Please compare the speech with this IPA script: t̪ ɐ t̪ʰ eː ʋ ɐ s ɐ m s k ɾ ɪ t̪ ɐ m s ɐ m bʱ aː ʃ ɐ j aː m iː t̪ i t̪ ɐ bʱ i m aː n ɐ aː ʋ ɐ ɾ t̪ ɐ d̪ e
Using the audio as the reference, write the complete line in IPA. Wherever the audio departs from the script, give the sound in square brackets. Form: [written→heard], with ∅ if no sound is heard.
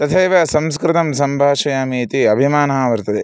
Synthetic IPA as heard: t̪ ɐ t̪ʰ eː ʋ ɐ s ɐ m s k ɾ ɪ t̪ ɐ m s ɐ m bʱ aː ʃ ɐ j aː m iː t̪ i [t̪→∅] ɐ bʱ i m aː n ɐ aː ʋ ɐ ɾ t̪ ɐ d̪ e